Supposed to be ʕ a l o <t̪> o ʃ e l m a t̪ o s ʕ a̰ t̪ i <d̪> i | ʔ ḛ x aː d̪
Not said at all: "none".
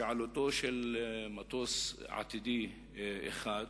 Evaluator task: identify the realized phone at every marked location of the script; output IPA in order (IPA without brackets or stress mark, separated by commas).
t̪, d̪